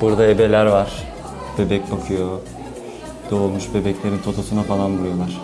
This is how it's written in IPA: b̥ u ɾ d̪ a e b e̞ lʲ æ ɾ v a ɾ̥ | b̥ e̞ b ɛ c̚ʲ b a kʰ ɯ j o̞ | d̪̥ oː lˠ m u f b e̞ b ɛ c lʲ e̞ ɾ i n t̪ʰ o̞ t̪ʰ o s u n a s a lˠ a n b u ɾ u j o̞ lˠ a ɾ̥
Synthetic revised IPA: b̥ u ɾ d̪ a e b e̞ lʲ æ ɾ v a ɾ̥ | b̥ e̞ b ɛ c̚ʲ b a kʰ ɯ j o̞ | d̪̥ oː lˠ m u ʃ b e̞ b ɛ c lʲ e̞ ɾ i n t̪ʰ o̞ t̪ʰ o s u n a f a lˠ a n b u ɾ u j o̞ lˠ a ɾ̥

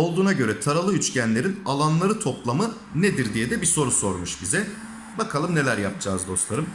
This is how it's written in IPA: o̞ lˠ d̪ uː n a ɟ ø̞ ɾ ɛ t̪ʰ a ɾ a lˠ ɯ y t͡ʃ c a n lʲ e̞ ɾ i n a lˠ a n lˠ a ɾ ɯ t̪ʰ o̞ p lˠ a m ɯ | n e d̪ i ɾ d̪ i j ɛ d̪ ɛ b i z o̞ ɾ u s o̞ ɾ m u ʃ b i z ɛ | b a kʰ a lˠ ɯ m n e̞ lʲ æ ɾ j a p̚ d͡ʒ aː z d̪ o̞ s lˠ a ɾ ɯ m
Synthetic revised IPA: o̞ lˠ d̪ uː n a ɟ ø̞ ɾ ɛ t̪ʰ a ɾ a lˠ ɯ y t͡ʃ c æ n lʲ e̞ ɾ i n a lˠ a n lˠ a ɾ ɯ t̪ʰ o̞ p lˠ a m ɯ | n e d̪ i ɾ d̪ i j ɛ d̪ ɛ b i s o̞ ɾ u s o̞ ɾ m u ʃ b i z ɛ | b a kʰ a lˠ ɯ m n e̞ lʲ æ ɾ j a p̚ d͡ʒ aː z d̪ o̞ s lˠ a ɾ ɯ m

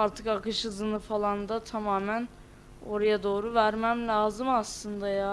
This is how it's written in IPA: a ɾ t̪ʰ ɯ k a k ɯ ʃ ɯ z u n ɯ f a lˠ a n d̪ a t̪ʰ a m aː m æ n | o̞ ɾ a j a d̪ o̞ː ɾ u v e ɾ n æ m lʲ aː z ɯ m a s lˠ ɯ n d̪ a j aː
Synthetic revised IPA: a ɾ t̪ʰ ɯ k a k ɯ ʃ ɯ z ɯ n ɯ f a lˠ a n d̪ a t̪ʰ a m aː m æ n | o̞ ɾ a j a d̪ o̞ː ɾ u v æ ɾ m æ m lʲ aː z ɯ m a s lˠ ɯ n d̪ a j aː

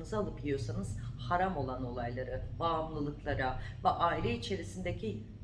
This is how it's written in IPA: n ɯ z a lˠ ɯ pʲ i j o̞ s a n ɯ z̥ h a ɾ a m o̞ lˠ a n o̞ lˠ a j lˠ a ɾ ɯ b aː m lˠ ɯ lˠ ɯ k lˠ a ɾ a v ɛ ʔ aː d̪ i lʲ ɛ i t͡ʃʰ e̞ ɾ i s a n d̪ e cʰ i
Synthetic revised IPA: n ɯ z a lˠ ɯ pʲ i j o̞ s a n ɯ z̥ h a ɾ a m o̞ lˠ a n o̞ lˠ a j lˠ a ɾ ɯ b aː m lˠ ɯ lˠ ɯ k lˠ a ɾ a v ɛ ʔ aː i lʲ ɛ i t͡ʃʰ e̞ ɾ i s i n d̪ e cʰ i

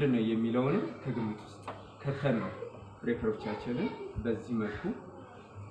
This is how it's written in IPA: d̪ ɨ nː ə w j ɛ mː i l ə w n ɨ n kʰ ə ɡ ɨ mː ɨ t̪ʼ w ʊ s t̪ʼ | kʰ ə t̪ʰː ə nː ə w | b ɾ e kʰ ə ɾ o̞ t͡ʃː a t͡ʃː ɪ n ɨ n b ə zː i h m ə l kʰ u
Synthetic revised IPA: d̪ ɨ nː ə w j ɛ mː i l ə w n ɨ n kʰ ə ɡ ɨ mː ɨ t̪ʼ w ʊ s t̪ʼ | kʰ ə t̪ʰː ə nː ə w | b ɾ e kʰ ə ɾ o̞ t͡ʃː a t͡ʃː ɪ n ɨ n b ə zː i h m ə l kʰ u

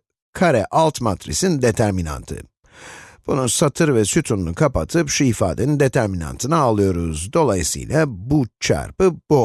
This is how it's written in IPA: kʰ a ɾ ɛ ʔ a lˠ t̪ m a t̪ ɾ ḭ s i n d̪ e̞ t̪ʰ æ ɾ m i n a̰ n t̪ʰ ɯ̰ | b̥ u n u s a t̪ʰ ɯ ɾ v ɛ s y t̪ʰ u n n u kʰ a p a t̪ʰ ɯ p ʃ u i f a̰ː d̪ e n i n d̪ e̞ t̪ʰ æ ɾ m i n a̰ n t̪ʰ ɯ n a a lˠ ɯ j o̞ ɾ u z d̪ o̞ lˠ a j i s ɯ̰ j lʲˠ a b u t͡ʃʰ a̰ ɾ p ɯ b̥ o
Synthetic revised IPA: kʰ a ɾ ɛ ʔ a lˠ t̪ m a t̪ ɾ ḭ s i n d̪ e̞ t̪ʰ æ ɾ m i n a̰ n t̪ʰ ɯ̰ | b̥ u n u s a t̪ʰ ɯ ɾ v ɛ s y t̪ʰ u n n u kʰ a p a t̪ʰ ɯ p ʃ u i f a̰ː d̪ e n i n d̪ e̞ t̪ʰ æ ɾ m i n a̰ n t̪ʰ ɯ n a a lˠ ɯ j o̞ ɾ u z d̪ o̞ lˠ a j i s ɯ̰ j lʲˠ a b u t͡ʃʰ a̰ ɾ p ɯ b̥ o

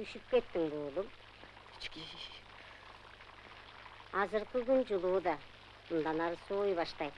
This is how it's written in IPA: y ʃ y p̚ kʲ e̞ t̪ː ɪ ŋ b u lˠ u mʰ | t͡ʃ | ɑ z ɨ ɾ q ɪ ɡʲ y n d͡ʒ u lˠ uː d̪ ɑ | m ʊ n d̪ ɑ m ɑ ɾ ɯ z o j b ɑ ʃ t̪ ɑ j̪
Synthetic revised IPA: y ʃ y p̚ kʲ e̞ t̪ː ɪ ŋ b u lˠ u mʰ | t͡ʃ | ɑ z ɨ ɾ q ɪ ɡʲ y n d͡ʒ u lˠ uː d̪ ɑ | m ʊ n d̪ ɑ n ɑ ɾ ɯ s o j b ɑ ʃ t̪ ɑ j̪

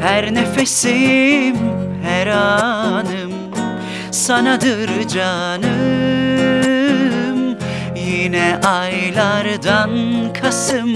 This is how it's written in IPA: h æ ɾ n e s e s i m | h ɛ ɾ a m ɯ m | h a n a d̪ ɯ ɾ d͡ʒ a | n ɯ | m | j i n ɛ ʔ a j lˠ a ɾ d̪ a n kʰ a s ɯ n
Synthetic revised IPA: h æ ɾ n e f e s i m | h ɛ ɾ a n ɯ m | s a n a d̪ ɯ ɾ d͡ʒ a | n ɯ | m | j i n ɛ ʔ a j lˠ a ɾ d̪ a n kʰ a s ɯ m

